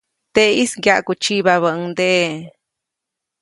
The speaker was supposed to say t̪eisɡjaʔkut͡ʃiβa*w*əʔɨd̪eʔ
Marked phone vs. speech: incorrect: β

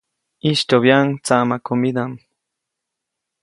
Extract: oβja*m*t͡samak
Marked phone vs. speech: incorrect: ŋ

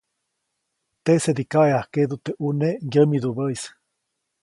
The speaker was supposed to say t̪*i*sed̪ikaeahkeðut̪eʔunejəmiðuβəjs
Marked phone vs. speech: incorrect: e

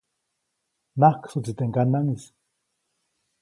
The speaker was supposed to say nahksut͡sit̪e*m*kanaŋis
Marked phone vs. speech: incorrect: ŋ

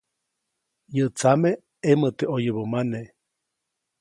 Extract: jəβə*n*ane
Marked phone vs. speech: incorrect: m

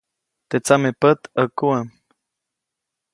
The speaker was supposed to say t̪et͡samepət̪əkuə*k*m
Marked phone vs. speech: incorrect: none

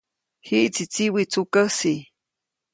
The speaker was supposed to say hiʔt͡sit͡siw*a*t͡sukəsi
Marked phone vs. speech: incorrect: i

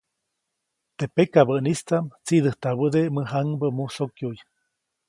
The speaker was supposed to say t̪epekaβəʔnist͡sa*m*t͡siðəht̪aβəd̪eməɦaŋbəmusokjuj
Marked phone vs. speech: correct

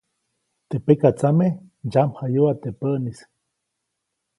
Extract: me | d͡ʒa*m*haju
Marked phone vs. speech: correct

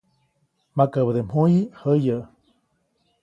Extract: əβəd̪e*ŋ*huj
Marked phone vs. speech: incorrect: m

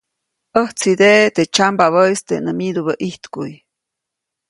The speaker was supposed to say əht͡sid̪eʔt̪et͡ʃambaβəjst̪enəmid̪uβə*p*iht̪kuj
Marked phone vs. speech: incorrect: ʔ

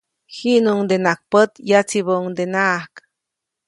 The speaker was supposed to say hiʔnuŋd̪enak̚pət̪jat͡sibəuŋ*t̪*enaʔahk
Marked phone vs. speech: incorrect: d̪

